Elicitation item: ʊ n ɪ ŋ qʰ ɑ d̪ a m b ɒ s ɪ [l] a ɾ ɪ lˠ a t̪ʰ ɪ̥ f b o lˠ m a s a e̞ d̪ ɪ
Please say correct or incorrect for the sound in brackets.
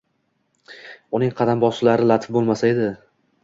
correct